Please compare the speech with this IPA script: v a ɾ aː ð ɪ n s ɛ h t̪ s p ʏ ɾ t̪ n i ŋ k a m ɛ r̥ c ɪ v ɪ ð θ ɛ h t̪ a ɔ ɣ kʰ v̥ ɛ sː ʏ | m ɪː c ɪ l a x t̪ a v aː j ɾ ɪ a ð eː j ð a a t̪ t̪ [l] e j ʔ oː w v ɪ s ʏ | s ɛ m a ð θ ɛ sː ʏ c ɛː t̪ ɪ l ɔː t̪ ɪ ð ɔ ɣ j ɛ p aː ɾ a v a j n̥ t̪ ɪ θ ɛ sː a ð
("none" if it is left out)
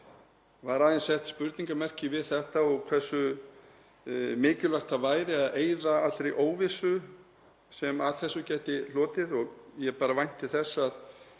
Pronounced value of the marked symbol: ɾ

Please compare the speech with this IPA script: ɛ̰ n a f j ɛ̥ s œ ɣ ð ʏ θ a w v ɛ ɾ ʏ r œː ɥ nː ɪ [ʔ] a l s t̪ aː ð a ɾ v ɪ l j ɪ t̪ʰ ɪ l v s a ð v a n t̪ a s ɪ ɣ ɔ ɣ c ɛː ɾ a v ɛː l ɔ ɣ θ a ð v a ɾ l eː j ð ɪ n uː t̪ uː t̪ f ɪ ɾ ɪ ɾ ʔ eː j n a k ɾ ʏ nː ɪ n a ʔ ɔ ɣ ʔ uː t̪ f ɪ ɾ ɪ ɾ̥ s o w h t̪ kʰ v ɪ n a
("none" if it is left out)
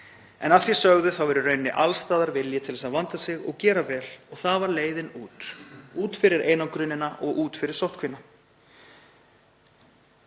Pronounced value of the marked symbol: ʔ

